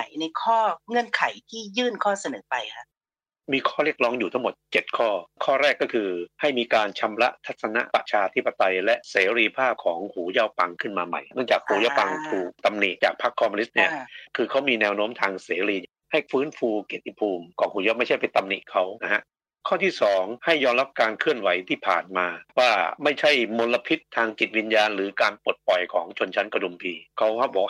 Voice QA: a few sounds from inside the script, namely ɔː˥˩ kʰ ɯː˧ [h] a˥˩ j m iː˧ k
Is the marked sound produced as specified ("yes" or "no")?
yes